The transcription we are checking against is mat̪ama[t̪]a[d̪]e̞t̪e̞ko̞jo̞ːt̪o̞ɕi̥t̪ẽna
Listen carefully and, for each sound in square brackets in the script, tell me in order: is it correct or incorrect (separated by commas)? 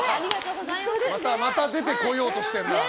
correct, correct